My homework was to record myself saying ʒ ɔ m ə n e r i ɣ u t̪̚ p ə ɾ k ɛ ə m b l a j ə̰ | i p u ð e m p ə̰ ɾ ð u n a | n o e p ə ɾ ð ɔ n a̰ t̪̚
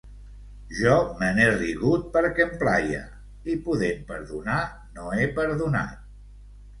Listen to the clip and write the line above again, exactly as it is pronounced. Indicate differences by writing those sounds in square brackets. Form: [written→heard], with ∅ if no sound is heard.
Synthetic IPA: ʒ ɔ m ə n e r i ɣ u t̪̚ p ə ɾ k ɛ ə m [b→p] l a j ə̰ | i p u ð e m p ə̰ ɾ ð u n a | n o e p ə ɾ ð [ɔ→u] n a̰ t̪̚